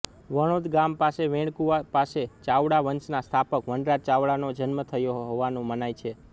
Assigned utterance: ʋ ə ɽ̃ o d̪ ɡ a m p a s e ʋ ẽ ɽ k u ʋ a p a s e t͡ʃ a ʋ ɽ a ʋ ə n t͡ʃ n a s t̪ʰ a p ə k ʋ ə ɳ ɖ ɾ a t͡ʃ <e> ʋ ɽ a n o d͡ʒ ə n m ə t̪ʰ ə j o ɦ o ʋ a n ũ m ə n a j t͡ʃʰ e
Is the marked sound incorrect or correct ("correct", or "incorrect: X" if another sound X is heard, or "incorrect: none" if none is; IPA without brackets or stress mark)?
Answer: incorrect: a